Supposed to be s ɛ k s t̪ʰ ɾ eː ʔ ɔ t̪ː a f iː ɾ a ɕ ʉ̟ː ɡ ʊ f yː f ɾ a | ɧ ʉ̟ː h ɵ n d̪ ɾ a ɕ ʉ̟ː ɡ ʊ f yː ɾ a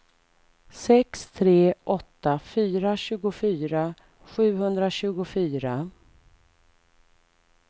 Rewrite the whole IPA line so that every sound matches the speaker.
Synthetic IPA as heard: s ɛ k s t̪ʰ ɾ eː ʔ ɔ t̪ː a f yː ɾ a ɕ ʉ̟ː ɡ ʊ f yː ɾ a | ɧ ʉ̟ː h ɵ n d̪ ɾ a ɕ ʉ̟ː ɡ ʊ f yː ɾ a